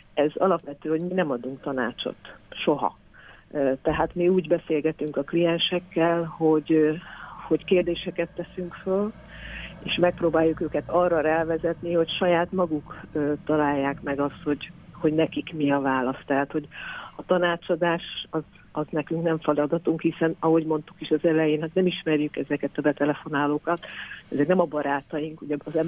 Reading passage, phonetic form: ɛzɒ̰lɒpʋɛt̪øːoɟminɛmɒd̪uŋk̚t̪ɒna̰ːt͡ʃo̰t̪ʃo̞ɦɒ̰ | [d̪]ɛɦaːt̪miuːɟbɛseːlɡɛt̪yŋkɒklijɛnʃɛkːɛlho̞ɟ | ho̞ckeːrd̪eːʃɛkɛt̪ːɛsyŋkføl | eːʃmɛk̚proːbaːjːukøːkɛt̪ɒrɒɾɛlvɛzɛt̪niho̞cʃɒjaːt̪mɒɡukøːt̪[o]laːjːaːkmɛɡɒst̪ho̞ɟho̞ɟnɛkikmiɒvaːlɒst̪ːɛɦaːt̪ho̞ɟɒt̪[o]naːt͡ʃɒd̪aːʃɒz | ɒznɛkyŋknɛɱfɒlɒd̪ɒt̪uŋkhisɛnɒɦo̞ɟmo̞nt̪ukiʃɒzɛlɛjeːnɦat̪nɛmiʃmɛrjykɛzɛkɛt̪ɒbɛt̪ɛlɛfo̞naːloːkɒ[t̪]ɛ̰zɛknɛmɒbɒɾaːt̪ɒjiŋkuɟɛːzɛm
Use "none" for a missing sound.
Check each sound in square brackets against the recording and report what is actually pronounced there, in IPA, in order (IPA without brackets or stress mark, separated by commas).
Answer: t̪, ɒ, ɒ, t̪